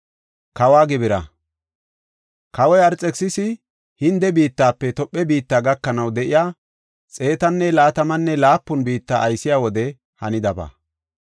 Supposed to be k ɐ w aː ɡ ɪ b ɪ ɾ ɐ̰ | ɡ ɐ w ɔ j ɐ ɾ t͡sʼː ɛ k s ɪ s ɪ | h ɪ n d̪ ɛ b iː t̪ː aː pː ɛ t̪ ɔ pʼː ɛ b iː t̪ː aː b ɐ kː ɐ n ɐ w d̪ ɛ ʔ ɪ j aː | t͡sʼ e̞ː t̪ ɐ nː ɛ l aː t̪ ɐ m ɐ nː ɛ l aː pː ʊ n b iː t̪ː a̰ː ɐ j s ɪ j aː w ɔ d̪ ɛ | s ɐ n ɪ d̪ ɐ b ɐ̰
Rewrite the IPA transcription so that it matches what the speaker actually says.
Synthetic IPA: k ɐ w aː ɡ ɪ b ɪ ɾ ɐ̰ | k ɐ w ɔ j ɐ ɾ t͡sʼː ɛ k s ɪ s ɪ | h ɪ n d̪ ɛ b iː t̪ː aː pː ɛ t̪ ɔ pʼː ɛ b iː t̪ː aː ɡ ɐ kː ɐ n ɐ w d̪ ɛ ʔ ɪ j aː | t͡sʼ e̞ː t̪ ɐ nː ɛ l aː t̪ ɐ m ɐ nː ɛ l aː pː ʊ n b iː t̪ː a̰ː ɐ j s ɪ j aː w ɔ d̪ ɛ | h ɐ n ɪ d̪ ɐ b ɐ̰